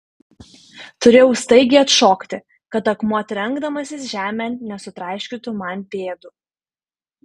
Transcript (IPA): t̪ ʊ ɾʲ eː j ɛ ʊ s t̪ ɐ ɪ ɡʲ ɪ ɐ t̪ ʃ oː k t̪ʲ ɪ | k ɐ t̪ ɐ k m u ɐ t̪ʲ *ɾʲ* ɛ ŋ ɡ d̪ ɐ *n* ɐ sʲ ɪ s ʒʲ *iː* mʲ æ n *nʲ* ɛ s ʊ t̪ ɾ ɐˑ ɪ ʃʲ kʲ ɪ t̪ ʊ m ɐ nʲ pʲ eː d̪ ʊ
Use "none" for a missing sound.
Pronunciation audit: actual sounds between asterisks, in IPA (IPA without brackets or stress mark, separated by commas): ɾʲ, m, æː, nʲ